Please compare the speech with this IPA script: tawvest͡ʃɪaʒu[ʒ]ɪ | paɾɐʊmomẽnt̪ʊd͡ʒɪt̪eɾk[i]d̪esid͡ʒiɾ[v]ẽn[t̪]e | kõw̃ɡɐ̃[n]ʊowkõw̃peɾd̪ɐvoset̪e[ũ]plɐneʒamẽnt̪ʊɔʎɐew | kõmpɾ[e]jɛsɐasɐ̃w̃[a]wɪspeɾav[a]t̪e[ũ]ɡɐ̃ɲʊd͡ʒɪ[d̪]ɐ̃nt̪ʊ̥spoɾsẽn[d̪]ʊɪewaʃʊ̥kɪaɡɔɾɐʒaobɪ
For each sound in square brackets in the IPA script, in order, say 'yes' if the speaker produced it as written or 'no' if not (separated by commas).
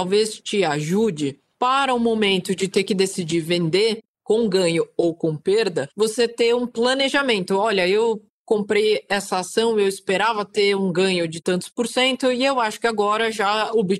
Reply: no, no, yes, no, no, yes, yes, no, no, yes, no, no